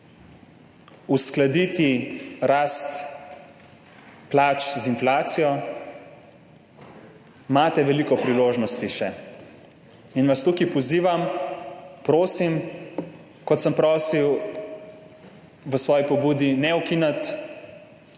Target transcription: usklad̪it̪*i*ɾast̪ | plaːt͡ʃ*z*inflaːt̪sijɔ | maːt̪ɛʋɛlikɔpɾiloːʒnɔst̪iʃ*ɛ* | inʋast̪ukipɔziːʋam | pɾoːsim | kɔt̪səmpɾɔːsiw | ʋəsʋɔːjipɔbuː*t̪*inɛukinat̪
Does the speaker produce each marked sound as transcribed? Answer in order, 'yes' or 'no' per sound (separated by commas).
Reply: yes, yes, yes, no